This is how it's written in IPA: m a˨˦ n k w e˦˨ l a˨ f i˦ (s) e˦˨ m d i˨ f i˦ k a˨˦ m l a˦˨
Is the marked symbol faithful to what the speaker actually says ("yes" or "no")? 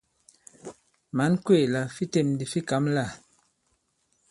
no